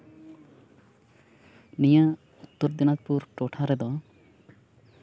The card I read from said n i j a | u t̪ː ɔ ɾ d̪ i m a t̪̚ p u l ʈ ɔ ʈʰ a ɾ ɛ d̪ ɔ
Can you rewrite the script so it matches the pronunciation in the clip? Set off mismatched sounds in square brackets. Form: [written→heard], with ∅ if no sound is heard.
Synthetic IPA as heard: n i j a | u t̪ː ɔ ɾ d̪ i [m→n] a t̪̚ p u [l→ɾ] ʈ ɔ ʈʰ a ɾ ɛ d̪ ɔ